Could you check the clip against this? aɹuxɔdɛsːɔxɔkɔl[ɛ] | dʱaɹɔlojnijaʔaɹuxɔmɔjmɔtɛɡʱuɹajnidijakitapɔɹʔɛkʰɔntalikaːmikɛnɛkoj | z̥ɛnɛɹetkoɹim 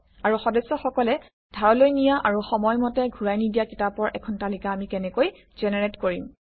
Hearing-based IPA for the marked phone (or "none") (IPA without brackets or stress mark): ɛ